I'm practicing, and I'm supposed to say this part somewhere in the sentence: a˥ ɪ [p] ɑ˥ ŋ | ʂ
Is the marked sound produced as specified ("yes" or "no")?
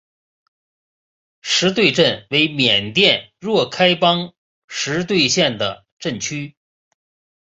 yes